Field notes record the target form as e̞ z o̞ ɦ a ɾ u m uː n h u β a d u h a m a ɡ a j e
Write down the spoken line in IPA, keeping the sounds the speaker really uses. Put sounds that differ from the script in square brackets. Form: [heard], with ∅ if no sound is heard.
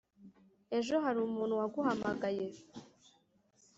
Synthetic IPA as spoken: e̞ [ʒ] o̞ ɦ a ɾ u m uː n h u [w] a [ɡ] u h a m a ɡ a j e